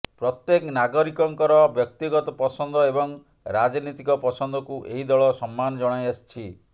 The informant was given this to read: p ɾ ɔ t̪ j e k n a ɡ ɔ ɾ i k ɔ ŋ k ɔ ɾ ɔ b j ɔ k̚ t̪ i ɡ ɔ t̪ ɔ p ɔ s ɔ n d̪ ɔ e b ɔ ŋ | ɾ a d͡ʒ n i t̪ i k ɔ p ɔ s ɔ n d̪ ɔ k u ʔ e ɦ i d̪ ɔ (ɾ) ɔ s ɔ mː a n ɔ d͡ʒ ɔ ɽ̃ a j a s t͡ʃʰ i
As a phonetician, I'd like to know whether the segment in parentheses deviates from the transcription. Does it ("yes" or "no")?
yes